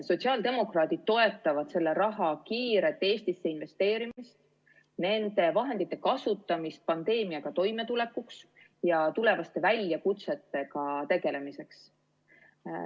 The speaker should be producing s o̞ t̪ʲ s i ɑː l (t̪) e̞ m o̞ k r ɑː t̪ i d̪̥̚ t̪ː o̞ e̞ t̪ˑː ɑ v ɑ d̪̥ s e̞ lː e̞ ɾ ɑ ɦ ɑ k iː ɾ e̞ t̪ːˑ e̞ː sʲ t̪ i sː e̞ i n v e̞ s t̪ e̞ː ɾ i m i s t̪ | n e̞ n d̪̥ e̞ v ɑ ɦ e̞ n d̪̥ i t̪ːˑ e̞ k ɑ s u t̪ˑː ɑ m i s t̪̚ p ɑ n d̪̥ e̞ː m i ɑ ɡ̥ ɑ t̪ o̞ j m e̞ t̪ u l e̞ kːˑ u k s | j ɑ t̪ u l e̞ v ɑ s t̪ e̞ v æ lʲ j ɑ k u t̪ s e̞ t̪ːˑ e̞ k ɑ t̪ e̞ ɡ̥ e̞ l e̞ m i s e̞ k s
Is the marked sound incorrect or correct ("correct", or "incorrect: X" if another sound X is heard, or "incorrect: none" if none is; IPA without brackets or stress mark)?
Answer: incorrect: d̪